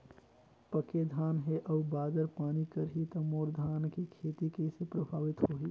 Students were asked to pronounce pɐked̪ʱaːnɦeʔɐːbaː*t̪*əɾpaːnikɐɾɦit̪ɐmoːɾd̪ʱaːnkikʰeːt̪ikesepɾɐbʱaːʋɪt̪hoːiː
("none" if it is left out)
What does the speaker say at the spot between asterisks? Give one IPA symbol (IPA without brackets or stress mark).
d̪